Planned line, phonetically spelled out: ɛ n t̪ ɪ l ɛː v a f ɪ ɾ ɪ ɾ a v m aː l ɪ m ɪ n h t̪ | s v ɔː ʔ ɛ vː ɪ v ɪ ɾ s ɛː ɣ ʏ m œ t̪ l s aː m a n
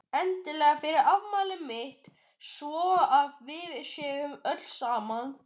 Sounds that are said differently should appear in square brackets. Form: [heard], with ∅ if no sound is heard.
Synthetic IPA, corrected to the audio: ɛ n t̪ ɪ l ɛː [ɣ] a f ɪ ɾ ɪ ɾ a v m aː l ɪ m ɪ [∅] h t̪ | s v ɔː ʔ [a] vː ɪ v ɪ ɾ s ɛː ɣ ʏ m œ t̪ l s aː m a n

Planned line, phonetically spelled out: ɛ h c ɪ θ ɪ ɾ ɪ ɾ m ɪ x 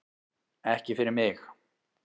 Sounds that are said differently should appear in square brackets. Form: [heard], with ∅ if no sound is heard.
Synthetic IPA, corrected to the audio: ɛ h c ɪ [f] ɪ ɾ ɪ ɾ m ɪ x

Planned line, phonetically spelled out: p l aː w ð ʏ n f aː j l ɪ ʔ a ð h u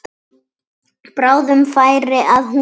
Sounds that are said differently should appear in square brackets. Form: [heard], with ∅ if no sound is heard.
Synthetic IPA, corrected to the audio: p [ɾ] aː w ð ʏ [m] f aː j [ɾ] ɪ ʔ a ð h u

